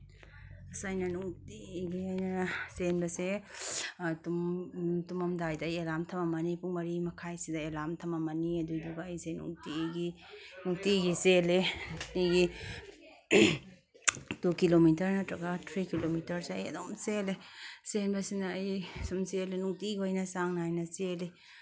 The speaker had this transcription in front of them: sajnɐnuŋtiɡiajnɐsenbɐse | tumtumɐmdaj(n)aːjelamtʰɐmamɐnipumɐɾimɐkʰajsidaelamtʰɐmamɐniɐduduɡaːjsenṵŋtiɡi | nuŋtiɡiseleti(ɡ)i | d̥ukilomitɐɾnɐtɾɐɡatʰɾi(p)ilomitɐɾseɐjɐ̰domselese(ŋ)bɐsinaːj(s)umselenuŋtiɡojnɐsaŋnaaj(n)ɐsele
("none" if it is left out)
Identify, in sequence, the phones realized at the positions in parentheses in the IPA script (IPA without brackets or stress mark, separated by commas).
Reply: d, ɡ, k, n, s, n